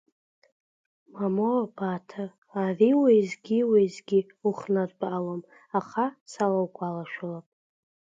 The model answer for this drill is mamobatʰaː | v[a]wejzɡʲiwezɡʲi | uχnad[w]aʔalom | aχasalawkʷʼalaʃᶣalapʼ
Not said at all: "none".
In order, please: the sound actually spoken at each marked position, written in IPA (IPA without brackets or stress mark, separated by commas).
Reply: i, b